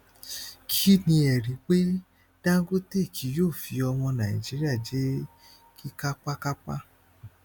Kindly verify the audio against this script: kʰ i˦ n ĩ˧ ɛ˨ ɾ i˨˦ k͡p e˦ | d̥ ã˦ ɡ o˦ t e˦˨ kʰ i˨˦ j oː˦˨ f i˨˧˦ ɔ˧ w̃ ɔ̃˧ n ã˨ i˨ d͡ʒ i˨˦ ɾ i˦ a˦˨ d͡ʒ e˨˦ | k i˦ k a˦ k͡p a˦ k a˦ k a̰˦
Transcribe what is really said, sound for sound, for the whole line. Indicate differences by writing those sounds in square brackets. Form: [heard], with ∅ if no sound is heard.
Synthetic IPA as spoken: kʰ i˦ n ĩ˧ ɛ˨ ɾ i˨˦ k͡p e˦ | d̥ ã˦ ɡ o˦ t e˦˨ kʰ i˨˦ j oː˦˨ f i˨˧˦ ɔ˧ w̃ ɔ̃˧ n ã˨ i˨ d͡ʒ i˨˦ ɾ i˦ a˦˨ d͡ʒ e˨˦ | k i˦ k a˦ k͡p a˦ k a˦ [k͡p] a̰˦

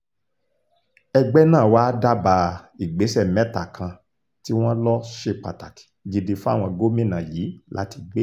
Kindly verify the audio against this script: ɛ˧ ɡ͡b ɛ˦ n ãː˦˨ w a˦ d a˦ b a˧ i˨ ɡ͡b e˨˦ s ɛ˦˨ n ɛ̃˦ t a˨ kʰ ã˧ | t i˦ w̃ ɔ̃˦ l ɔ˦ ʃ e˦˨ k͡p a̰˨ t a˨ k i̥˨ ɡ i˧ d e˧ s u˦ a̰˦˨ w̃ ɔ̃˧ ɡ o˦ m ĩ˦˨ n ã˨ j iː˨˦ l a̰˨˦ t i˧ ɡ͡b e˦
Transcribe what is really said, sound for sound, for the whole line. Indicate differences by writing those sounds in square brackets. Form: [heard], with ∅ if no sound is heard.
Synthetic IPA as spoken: ɛ˧ ɡ͡b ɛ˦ n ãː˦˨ w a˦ d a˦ b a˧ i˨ ɡ͡b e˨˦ s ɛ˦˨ [m] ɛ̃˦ t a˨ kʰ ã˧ | t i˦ w̃ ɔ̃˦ l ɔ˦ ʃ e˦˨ k͡p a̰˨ t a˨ k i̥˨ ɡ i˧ d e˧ [f] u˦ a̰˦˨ w̃ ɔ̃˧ ɡ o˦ m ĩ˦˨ n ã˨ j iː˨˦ l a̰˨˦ t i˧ ɡ͡b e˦

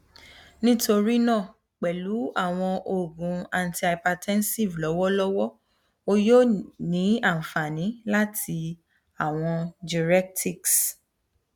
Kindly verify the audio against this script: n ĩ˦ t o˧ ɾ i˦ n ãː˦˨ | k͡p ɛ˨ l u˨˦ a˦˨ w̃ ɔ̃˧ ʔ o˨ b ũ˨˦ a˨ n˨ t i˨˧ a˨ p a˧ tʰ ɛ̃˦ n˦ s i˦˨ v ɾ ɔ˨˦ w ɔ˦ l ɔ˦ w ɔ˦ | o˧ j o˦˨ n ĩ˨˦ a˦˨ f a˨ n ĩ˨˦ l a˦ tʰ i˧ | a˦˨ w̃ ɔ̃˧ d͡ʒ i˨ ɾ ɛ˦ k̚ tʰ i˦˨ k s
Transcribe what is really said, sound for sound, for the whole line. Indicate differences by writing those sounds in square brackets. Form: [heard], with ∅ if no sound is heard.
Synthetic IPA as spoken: n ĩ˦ t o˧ ɾ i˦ n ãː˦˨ | k͡p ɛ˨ l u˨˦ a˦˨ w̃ ɔ̃˧ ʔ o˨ [ɡ] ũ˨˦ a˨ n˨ t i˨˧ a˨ p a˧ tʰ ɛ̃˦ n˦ s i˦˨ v [l] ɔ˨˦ w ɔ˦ l ɔ˦ w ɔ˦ | o˧ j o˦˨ n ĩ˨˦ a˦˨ f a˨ n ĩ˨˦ l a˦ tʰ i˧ | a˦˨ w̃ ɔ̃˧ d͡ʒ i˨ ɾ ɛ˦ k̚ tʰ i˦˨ k s

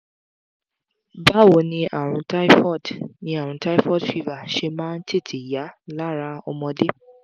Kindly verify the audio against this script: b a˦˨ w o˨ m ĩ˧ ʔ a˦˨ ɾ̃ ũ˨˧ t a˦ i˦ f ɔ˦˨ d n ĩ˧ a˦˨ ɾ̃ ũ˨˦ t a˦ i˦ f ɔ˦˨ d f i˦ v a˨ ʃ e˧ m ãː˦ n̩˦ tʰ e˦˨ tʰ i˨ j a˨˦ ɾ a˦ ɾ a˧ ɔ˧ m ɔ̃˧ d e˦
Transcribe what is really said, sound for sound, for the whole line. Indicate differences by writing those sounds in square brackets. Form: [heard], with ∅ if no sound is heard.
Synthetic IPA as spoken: b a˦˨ w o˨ [n] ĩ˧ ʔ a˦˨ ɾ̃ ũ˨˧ t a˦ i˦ f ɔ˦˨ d n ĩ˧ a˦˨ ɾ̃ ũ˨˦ t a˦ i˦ f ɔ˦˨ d f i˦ v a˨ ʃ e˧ m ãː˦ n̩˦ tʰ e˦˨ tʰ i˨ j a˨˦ [l] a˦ ɾ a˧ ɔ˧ m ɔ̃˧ d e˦

